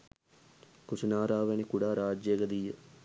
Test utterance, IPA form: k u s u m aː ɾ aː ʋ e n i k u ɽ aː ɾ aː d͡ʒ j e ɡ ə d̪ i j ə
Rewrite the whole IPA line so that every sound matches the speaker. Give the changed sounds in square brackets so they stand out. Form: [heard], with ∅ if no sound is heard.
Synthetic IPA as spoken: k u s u [n] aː ɾ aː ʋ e n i k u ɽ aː ɾ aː d͡ʒ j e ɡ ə d̪ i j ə